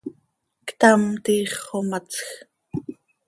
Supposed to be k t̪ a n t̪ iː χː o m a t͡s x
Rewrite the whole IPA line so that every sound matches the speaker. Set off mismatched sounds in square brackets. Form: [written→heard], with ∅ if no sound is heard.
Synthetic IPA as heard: k t̪ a [n→m] t̪ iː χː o m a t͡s x